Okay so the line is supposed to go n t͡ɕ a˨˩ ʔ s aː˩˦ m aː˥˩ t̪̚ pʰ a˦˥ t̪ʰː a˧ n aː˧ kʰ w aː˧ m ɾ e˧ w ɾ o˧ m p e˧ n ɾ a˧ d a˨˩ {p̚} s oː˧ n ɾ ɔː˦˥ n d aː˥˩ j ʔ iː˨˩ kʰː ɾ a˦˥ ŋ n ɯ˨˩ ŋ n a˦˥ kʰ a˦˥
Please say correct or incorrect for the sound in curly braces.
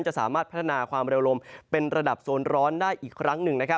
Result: correct